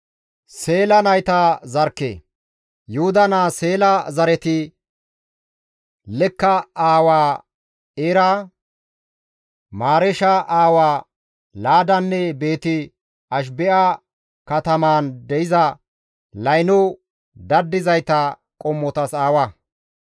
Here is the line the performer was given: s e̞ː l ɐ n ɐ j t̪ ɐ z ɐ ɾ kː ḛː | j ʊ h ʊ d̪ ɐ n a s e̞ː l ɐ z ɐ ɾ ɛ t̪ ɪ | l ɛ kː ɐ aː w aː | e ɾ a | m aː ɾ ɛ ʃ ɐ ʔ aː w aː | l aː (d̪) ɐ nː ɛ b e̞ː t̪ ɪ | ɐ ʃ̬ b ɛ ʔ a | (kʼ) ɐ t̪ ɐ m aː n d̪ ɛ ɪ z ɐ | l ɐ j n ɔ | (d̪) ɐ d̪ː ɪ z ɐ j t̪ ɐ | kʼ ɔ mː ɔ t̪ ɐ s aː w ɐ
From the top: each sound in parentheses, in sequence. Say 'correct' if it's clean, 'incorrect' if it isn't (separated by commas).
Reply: correct, incorrect, correct